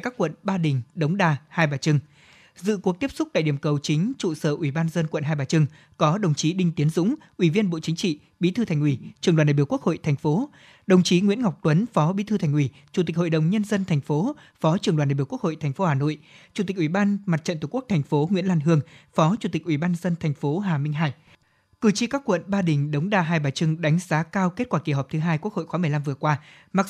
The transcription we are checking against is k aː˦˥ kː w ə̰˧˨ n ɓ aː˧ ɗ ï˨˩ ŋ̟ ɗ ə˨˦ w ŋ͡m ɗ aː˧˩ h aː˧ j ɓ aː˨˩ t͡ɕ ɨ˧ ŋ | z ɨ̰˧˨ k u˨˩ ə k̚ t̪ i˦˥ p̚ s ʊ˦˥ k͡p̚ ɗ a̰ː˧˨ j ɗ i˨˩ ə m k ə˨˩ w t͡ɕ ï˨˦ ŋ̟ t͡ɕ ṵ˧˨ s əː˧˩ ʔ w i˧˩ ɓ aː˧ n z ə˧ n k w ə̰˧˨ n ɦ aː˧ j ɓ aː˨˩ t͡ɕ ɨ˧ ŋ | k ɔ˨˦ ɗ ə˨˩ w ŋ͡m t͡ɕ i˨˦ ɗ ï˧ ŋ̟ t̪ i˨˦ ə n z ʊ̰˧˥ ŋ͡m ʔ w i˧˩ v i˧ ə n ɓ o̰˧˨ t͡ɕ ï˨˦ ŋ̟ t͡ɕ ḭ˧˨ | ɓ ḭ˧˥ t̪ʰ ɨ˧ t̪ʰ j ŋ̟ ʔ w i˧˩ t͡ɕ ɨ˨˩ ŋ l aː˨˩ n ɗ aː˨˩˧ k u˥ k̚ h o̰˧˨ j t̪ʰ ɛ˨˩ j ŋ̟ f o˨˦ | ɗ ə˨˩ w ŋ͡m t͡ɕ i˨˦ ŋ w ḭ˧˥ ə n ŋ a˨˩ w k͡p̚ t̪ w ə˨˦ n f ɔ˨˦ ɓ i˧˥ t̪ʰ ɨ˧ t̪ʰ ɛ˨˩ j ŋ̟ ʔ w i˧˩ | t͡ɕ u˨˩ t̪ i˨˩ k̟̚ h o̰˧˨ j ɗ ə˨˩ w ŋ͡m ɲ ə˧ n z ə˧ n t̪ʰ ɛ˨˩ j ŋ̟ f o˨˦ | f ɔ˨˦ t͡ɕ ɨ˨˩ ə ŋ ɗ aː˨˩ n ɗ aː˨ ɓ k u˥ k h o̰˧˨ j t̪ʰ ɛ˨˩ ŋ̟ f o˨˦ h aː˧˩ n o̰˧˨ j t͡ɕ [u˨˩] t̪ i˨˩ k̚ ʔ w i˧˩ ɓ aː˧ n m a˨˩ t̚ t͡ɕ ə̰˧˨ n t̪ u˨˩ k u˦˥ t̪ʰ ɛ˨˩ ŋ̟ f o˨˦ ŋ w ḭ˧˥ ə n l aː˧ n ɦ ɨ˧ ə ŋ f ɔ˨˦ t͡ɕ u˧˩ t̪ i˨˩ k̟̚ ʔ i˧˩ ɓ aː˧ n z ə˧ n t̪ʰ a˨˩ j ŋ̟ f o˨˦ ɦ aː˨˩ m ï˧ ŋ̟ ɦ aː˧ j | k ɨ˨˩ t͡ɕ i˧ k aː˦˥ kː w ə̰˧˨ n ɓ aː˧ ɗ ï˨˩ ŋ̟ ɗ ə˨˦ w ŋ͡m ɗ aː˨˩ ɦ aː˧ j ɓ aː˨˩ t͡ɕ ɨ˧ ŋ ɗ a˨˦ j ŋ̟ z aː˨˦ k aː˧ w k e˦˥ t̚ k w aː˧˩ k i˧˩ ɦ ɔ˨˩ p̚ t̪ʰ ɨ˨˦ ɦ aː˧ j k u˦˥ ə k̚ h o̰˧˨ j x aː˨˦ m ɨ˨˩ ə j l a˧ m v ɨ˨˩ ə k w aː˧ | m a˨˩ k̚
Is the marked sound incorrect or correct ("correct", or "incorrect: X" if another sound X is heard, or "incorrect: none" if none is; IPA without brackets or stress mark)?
correct